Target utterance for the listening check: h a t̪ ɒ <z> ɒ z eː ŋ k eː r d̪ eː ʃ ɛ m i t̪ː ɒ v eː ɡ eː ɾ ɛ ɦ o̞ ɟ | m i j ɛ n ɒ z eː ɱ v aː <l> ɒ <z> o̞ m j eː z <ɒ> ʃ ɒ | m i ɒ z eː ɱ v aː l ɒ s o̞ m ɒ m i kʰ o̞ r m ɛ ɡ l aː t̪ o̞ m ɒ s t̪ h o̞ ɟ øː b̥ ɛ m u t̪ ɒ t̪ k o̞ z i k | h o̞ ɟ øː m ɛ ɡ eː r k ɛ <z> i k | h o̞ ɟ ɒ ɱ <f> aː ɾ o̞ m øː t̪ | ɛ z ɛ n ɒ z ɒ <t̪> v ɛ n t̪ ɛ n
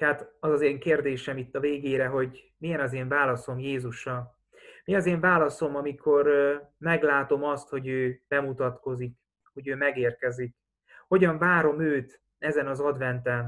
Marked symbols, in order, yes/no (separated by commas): yes, yes, no, no, yes, no, no